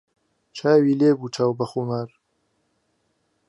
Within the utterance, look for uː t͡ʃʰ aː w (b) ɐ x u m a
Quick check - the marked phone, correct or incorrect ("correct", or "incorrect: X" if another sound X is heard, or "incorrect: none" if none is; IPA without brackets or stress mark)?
correct